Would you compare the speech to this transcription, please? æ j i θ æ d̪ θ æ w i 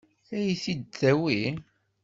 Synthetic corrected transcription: æ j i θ i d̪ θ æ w i